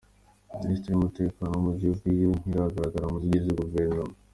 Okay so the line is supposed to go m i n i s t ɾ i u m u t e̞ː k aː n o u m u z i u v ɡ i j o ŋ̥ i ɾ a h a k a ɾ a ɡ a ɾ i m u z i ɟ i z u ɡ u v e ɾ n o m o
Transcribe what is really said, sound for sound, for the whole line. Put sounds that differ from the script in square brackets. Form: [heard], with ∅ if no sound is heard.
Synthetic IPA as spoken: m i n i s t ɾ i u m u t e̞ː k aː n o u m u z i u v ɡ i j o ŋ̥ i ɾ a h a [ɡ] a ɾ a ɡ a ɾ [a] m u z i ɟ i z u ɡ u v e ɾ n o m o